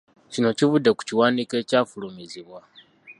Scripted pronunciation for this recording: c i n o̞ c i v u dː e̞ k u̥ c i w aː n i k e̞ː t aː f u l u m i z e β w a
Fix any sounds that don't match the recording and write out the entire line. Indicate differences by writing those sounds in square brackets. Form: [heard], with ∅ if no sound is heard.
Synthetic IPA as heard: c i n o̞ c i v u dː e̞ k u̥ c i w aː n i k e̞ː [c] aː f u l u m i z [i] β w a